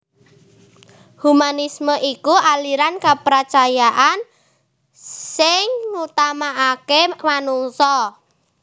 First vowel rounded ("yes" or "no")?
yes